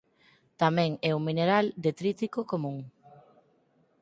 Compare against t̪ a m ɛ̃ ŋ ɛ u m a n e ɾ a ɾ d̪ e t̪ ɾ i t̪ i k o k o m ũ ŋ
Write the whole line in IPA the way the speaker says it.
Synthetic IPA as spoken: t̪ a m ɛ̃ ŋ ɛ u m i n e ɾ a l d̪ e t̪ ɾ i t̪ i k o k o m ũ ŋ